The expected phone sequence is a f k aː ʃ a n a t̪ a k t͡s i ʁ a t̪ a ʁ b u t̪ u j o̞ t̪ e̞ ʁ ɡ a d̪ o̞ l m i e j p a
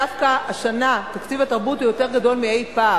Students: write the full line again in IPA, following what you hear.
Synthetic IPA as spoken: a f k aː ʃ a n a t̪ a k t͡s i v a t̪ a ʁ b u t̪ u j o̞ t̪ e̞ ʁ ɡ a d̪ o̞ l m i e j p a